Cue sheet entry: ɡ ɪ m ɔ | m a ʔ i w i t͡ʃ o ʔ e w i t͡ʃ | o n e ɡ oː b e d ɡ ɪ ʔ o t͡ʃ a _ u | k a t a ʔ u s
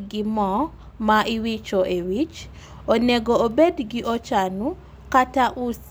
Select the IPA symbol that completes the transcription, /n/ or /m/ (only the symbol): n